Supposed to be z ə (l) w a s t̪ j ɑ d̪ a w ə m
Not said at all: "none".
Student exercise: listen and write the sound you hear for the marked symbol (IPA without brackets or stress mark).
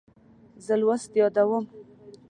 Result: l